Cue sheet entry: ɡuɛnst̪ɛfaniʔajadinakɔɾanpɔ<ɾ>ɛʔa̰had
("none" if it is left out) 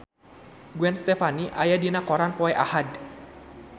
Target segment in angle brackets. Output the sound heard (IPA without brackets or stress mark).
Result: none